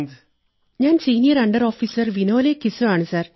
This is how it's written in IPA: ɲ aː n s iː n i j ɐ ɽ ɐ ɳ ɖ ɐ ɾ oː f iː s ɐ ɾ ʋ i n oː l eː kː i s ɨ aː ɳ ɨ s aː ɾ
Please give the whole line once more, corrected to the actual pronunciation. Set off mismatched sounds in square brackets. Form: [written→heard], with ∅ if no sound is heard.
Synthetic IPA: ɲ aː n s iː n i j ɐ [ɽ→ɾ] ɐ ɳ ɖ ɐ ɾ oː f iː s ɐ ɾ ʋ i n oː l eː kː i s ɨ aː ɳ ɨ s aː ɾ

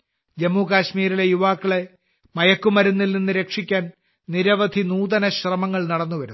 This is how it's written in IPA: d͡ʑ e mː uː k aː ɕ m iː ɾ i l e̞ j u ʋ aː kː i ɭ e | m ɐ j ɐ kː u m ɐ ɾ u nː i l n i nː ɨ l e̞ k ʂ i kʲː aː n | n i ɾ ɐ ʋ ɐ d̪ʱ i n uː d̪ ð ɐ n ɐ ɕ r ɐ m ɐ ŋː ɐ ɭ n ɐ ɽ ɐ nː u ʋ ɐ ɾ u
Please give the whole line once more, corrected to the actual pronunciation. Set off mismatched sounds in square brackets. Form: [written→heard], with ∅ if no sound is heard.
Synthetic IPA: d͡ʑ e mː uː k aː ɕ m iː ɾ i l e̞ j u ʋ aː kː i ɭ e | m ɐ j ɐ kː u m ɐ ɾ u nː i l n i nː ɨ [l→ɾ] e̞ k ʂ i kʲː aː n | n i ɾ ɐ ʋ ɐ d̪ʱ i n uː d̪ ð ɐ n ɐ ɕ r ɐ m ɐ ŋː ɐ ɭ n ɐ ɽ ɐ nː u ʋ ɐ ɾ u

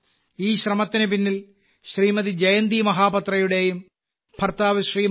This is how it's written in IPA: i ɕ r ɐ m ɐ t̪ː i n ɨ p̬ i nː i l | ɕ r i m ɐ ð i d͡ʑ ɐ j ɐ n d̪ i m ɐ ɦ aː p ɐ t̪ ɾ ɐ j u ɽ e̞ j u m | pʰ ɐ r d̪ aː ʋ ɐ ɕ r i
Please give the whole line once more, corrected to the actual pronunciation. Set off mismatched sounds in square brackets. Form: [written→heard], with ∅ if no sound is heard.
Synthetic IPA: [i→iː] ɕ r ɐ m ɐ t̪ː i n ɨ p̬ i nː i l | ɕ r [i→iː] m ɐ ð i d͡ʑ ɐ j ɐ n d̪ i m ɐ ɦ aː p ɐ t̪ [ɾ→r] ɐ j u ɽ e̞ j u m | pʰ ɐ r [d̪→t̪] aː ʋ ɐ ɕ r [i→iː]

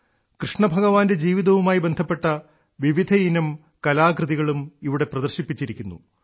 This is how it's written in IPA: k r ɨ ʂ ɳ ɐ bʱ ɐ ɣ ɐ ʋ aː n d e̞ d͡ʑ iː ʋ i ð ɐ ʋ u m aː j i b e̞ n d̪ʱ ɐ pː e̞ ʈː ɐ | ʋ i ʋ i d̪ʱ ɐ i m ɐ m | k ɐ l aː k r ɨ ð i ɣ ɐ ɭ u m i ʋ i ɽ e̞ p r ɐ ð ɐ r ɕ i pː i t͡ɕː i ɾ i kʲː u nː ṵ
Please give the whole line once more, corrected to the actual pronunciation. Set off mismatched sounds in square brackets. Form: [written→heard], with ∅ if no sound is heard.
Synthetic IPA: k r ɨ ʂ ɳ ɐ bʱ ɐ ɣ ɐ ʋ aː n d e̞ d͡ʑ iː ʋ i ð ɐ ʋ u m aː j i b e̞ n d̪ʱ ɐ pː e̞ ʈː ɐ | ʋ i ʋ i d̪ʱ ɐ i [m→n] ɐ m | k ɐ l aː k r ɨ ð i ɣ ɐ ɭ u m i ʋ i ɽ e̞ p r ɐ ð ɐ r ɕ i pː i t͡ɕː i ɾ i kʲː u nː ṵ

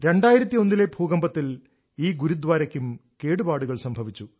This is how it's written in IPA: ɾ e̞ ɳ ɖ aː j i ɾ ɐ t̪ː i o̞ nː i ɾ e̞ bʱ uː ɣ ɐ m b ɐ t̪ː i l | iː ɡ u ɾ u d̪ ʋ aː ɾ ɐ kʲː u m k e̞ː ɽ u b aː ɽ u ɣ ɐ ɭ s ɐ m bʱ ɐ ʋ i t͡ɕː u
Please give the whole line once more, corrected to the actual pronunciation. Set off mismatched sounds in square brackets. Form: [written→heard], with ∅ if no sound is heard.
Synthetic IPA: ɾ e̞ ɳ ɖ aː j i ɾ ɐ t̪ː i o̞ nː i [ɾ→l] e̞ bʱ uː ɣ ɐ m b ɐ t̪ː i l | iː ɡ u ɾ u d̪ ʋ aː ɾ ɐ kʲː u m k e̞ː ɽ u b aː ɽ u ɣ ɐ ɭ s ɐ m bʱ ɐ ʋ i t͡ɕː u

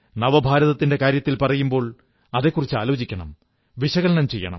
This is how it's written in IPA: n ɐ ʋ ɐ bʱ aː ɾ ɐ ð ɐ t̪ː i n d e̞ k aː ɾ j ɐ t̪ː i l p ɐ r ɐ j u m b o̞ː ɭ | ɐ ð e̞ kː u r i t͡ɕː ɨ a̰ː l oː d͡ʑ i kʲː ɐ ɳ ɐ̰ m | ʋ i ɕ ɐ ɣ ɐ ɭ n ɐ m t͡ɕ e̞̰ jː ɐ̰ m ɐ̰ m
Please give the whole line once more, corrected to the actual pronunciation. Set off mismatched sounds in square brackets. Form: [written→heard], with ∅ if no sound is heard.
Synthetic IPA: n ɐ ʋ ɐ bʱ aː ɾ ɐ ð ɐ t̪ː i n d e̞ k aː ɾ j ɐ t̪ː i l p ɐ r ɐ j u m b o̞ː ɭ | ɐ ð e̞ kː u r i t͡ɕː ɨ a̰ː l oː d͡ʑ i kʲː ɐ ɳ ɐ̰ m | ʋ i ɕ ɐ ɣ ɐ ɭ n ɐ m t͡ɕ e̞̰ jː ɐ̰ [m→ɳ] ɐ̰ m

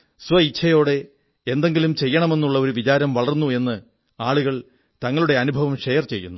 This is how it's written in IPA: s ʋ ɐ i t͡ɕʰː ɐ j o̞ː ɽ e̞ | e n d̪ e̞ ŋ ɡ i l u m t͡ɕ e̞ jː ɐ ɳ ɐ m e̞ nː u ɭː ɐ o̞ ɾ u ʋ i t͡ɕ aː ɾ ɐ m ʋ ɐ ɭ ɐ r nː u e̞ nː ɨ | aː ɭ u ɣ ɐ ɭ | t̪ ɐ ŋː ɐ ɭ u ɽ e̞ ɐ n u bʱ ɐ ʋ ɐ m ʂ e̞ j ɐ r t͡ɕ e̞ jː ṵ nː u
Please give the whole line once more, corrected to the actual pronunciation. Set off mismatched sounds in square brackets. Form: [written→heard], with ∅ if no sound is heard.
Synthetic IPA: s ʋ ɐ i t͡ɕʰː ɐ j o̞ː ɽ e̞ | e n d̪ e̞ ŋ ɡ i l u m t͡ɕ e̞ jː ɐ ɳ ɐ m e̞ nː u ɭː ɐ o̞ ɾ u ʋ i t͡ɕ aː ɾ ɐ m ʋ ɐ ɭ ɐ r nː u e̞ nː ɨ | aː ɭ u ɣ ɐ ɭ | t̪ ɐ ŋː ɐ ɭ u ɽ e̞ ɐ n u bʱ ɐ ʋ ɐ m ʂ e̞ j ɐ r t͡ɕ e̞ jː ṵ nː u

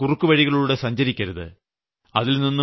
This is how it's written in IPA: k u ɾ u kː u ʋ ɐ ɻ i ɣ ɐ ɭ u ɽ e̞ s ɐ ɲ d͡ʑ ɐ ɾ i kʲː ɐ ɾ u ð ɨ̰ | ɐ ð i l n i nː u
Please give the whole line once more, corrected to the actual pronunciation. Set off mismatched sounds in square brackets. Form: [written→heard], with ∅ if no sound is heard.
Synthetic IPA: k u [ɾ→r] u kː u ʋ ɐ ɻ i ɣ ɐ ɭ u ɽ e̞ s ɐ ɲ d͡ʑ ɐ ɾ i kʲː ɐ ɾ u ð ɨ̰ | ɐ ð i l n i nː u

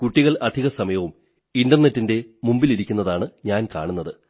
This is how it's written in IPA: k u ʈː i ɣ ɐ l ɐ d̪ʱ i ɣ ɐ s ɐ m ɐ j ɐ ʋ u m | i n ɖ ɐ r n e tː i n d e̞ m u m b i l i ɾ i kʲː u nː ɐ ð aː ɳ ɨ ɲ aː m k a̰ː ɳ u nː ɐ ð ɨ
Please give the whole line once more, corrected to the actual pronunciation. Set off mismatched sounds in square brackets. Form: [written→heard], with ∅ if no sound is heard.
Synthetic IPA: k u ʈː i ɣ ɐ [l→ɭ] ɐ d̪ʱ i ɣ ɐ s ɐ m ɐ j ɐ ʋ u m | i n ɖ ɐ r n e tː i n d e̞ m u m b i l i ɾ i kʲː u nː ɐ ð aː ɳ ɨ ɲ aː [m→n] k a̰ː ɳ u nː ɐ ð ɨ

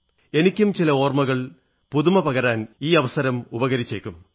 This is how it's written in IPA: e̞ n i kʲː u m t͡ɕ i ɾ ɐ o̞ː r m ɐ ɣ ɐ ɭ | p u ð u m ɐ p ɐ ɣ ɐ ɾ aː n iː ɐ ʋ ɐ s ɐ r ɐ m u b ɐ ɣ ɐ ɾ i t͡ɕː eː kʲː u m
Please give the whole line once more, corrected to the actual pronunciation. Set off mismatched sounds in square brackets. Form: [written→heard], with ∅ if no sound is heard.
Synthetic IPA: e̞ n i kʲː u m t͡ɕ i [ɾ→l] ɐ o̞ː r m ɐ ɣ ɐ ɭ | p u ð u m ɐ p ɐ ɣ ɐ ɾ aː n iː ɐ ʋ ɐ s ɐ [r→ɾ] ɐ m u b ɐ ɣ ɐ ɾ i t͡ɕː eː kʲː u m

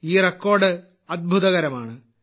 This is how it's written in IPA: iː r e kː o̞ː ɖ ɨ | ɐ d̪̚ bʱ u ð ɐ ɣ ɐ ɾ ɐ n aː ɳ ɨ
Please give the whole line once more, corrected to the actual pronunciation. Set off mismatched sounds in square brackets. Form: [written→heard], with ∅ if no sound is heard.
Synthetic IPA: iː r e kː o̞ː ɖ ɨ | ɐ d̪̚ bʱ u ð ɐ ɣ ɐ ɾ ɐ [n→m] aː ɳ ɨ

